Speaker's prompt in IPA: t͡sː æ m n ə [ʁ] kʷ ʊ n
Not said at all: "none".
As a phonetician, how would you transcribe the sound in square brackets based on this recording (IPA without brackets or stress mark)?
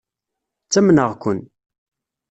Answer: ʁ